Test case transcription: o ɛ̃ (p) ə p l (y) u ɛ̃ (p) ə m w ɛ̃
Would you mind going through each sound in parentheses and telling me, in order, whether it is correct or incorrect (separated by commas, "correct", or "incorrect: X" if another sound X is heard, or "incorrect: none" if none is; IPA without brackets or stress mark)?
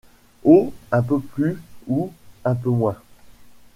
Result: correct, correct, correct